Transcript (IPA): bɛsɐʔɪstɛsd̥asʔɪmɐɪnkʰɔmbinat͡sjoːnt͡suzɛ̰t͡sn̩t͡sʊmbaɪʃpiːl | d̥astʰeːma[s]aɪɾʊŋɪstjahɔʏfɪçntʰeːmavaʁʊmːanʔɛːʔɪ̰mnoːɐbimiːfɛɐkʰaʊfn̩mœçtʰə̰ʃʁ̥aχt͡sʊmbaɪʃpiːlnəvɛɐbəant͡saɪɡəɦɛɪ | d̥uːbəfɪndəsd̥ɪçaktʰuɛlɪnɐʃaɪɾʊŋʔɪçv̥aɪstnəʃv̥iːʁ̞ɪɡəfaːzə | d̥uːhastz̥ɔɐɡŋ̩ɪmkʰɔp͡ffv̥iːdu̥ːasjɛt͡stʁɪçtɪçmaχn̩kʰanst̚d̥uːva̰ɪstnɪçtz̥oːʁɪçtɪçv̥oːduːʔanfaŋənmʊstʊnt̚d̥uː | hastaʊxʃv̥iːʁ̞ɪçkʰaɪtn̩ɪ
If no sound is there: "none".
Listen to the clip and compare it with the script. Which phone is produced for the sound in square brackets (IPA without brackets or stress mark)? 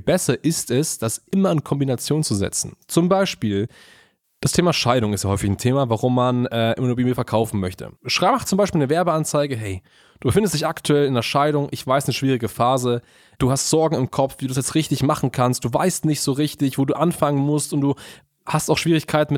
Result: ʃ